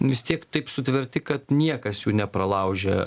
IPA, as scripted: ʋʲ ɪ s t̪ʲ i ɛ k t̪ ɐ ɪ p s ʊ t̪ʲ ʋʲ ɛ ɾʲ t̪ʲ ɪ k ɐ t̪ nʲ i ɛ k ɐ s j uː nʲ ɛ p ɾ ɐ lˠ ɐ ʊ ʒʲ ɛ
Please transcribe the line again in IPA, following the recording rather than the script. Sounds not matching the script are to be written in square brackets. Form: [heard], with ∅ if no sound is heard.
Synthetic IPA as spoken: ʋʲ ɪ s t̪ʲ i ɛ k t̪ ɐ ɪ p s ʊ t̪ʲ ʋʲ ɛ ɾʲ t̪ʲ ɪ k ɐ t̪ nʲ i ɛ k ɐ s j uː nʲ ɛ p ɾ ɐ lˠ ɐ ʊ ʒʲ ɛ

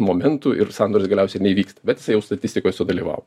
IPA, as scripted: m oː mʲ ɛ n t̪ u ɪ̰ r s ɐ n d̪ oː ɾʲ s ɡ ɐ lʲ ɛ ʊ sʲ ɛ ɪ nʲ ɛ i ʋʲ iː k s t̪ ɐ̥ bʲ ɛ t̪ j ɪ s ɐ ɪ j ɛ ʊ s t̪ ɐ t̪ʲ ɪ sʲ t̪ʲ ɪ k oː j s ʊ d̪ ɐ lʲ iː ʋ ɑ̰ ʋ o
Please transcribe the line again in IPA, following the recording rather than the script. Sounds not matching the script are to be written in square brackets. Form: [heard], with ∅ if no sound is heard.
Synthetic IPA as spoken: m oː mʲ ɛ n t̪ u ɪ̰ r s [ɑ] n d̪ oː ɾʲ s ɡ ɐ lʲ ɛ ʊ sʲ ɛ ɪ nʲ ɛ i ʋʲ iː k s t̪ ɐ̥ bʲ ɛ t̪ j ɪ s ɐ ɪ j ɛ ʊ s t̪ ɐ t̪ʲ ɪ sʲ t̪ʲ ɪ k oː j s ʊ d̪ ɐ lʲ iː ʋ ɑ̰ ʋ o

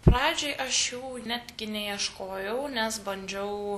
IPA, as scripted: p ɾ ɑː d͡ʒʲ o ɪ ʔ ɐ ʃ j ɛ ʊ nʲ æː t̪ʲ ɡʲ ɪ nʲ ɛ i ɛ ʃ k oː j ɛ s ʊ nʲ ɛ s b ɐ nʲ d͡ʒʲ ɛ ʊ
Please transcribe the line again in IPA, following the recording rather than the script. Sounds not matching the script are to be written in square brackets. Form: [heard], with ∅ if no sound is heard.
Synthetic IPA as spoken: p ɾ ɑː d͡ʒʲ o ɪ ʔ ɐ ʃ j ɛ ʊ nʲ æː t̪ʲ ɡʲ ɪ nʲ ɛ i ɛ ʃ k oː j ɛ [∅] ʊ nʲ ɛ s b ɐ nʲ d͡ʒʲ ɛ ʊ

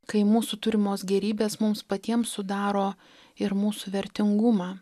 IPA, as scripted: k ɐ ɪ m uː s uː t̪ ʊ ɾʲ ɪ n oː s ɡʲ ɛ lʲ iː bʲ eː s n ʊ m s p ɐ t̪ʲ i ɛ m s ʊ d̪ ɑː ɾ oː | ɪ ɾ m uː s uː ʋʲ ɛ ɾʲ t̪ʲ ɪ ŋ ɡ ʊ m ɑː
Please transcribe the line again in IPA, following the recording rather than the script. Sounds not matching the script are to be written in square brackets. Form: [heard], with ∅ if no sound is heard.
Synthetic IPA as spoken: k ɐ ɪ m uː s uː t̪ ʊ ɾʲ ɪ [m] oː s ɡʲ ɛ [ɾʲ] iː bʲ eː s [m] ʊ m s p ɐ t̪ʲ i ɛ m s ʊ d̪ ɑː ɾ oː | ɪ ɾ m uː s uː ʋʲ ɛ ɾʲ t̪ʲ ɪ ŋ ɡ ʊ m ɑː

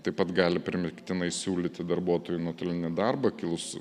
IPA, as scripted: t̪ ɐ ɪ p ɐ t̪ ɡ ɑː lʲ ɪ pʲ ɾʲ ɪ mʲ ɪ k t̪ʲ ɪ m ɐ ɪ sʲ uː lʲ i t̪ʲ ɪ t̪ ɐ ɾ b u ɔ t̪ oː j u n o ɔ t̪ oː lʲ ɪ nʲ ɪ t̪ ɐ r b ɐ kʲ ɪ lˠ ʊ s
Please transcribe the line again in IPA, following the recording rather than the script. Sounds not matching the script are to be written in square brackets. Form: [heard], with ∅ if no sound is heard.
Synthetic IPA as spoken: t̪ ɐ ɪ p ɐ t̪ ɡ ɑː lʲ ɪ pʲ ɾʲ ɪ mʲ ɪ k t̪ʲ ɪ [n] ɐ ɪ sʲ uː lʲ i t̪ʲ ɪ [d̪] ɐ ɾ b u ɔ t̪ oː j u n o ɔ t̪ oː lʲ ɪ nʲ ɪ [d̪] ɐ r b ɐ kʲ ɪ lˠ ʊ s

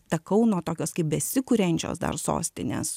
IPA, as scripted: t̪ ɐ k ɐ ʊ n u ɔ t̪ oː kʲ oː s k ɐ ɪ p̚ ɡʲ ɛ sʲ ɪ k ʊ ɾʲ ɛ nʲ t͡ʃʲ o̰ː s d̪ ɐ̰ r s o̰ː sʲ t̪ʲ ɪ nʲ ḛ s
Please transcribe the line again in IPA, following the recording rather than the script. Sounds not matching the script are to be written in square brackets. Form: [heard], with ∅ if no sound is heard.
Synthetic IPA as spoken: t̪ ɐ k ɐ ʊ n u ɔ t̪ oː kʲ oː s k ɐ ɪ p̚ [bʲ] ɛ sʲ ɪ k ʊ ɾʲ ɛ nʲ t͡ʃʲ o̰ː s d̪ ɐ̰ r s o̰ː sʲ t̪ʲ ɪ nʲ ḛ s

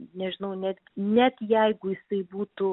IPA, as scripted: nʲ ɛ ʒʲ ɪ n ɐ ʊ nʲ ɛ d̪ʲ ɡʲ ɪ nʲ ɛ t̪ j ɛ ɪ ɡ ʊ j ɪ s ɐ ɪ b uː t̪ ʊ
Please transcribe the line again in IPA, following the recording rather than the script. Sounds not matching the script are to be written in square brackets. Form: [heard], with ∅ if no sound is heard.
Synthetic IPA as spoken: nʲ ɛ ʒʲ ɪ n ɐ ʊ nʲ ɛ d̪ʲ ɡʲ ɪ nʲ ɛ t̪ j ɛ ɪ ɡ ʊ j ɪ s ɐ ɪ b uː t̪ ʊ

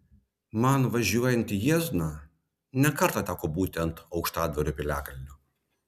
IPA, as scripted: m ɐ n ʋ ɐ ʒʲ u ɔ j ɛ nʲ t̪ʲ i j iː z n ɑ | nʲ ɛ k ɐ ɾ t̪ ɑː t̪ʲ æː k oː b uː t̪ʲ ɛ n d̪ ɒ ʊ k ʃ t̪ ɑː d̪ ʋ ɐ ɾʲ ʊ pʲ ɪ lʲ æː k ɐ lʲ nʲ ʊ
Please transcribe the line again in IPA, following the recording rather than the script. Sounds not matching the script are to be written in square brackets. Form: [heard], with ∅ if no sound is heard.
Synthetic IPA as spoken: m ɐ n ʋ ɐ ʒʲ u ɔ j ɛ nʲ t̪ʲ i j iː z n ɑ | nʲ ɛ k ɐ ɾ t̪ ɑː t̪ʲ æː k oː b uː t̪ʲ ɛ n [t̪] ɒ ʊ k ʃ t̪ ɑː d̪ ʋ ɐ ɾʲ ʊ pʲ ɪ lʲ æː k ɐ lʲ nʲ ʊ

